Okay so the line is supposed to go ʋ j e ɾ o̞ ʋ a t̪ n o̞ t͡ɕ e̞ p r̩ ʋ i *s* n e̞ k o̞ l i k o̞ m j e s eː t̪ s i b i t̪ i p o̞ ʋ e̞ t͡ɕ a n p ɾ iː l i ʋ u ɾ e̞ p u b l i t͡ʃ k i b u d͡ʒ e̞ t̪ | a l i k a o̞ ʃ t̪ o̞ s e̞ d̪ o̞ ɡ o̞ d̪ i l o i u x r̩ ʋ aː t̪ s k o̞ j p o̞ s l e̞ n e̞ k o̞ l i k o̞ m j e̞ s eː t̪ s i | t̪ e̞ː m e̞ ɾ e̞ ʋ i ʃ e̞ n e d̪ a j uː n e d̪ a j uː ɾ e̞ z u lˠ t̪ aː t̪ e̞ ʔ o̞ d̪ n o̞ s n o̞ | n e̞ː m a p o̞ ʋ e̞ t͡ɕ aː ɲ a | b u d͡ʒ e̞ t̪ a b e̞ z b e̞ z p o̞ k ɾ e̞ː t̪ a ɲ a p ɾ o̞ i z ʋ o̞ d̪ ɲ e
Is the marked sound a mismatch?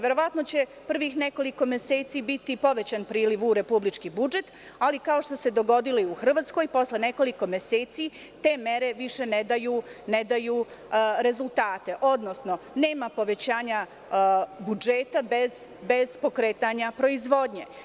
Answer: yes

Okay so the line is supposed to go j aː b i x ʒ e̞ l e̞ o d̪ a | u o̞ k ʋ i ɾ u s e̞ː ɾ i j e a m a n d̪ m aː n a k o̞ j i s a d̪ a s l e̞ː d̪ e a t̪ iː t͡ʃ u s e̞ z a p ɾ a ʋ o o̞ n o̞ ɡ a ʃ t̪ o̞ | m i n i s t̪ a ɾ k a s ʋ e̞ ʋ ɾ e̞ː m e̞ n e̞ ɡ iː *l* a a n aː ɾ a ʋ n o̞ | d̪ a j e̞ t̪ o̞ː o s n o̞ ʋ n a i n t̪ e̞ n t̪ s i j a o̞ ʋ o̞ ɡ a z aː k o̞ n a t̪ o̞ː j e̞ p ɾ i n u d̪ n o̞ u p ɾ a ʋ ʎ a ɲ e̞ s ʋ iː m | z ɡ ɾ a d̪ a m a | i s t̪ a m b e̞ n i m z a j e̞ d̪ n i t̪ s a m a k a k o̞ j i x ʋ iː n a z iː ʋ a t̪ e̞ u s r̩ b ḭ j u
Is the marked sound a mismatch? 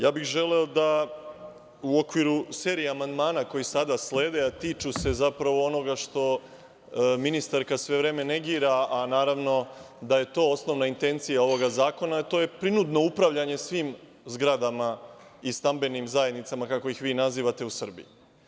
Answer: yes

